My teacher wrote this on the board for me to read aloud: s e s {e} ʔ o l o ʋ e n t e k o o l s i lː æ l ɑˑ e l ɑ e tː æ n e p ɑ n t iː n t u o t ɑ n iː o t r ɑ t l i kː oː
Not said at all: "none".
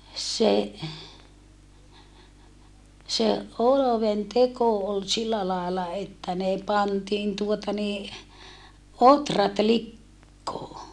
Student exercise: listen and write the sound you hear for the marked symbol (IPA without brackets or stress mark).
e